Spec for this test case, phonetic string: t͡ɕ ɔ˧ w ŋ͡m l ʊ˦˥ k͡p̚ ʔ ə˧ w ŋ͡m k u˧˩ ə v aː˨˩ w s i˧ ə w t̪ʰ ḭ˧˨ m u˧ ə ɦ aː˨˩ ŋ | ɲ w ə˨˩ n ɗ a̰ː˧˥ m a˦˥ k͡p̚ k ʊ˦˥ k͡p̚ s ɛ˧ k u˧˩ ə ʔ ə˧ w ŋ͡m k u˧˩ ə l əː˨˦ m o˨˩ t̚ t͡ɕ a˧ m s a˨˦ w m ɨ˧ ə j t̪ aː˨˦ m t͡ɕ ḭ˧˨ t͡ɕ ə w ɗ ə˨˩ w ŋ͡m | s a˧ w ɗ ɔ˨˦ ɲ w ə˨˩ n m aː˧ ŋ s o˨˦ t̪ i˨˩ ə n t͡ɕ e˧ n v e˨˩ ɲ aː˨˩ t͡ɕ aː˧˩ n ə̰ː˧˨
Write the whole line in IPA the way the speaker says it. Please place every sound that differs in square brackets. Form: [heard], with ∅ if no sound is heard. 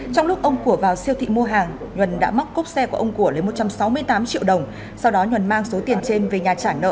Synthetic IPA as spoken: t͡ɕ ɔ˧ w ŋ͡m l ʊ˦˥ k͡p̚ ʔ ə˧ w ŋ͡m k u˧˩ ə v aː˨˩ w s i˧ ə w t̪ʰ ḭ˧˨ m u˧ ə ɦ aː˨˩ ŋ | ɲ w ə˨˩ n ɗ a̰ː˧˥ m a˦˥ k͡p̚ k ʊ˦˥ k͡p̚ s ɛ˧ k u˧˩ ə ʔ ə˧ w ŋ͡m k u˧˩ ə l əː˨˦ m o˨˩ t̚ t͡ɕ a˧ m s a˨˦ w m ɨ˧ ə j t̪ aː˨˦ m t͡ɕ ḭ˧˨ [∅] ə w ɗ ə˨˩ w ŋ͡m | s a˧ w ɗ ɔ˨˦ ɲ w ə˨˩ n m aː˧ ŋ s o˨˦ t̪ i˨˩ ə n t͡ɕ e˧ n v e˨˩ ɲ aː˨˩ t͡ɕ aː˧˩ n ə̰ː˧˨